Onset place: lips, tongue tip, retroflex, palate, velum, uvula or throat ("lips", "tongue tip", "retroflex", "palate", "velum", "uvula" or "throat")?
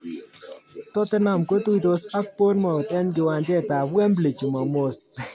tongue tip